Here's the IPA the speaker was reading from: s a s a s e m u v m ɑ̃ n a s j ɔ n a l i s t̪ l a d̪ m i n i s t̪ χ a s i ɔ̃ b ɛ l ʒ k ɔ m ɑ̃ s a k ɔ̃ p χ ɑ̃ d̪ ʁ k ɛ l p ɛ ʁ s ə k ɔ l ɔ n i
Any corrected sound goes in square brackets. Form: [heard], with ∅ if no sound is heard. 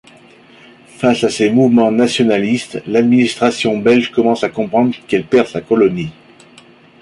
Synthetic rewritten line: [f] a s a s e m u v m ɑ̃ n a s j ɔ n a l i s t̪ l a d̪ m i n i s t̪ χ a s [j] ɔ̃ b ɛ l ʒ k ɔ m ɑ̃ s a k ɔ̃ p χ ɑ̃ d̪ ʁ k ɛ l p ɛ ʁ s [a] k ɔ l ɔ n i